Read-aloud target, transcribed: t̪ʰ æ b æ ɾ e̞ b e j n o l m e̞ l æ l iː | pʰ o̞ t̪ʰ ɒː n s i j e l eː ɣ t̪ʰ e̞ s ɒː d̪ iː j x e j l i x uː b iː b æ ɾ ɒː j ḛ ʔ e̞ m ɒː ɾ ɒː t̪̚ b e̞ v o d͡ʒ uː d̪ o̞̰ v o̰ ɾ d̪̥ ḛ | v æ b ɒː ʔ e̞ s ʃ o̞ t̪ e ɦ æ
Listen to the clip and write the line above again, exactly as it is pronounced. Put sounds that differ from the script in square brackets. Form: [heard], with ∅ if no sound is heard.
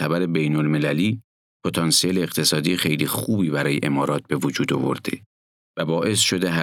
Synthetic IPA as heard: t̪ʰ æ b æ ɾ e̞ b e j n o l m e̞ l æ l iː | pʰ o̞ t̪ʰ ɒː n s i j e l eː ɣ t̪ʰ e̞ s ɒː d̪ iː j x e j l i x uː b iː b æ ɾ ɒː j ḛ ʔ e̞ m ɒː ɾ ɒː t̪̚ b e̞ v o d͡ʒ uː d̪ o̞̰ v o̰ ɾ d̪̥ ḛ | v æ b ɒː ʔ e̞ s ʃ o̞ [d̪] e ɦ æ